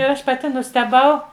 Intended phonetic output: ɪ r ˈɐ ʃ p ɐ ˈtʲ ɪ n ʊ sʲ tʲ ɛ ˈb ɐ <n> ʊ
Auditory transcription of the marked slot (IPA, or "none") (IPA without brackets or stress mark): none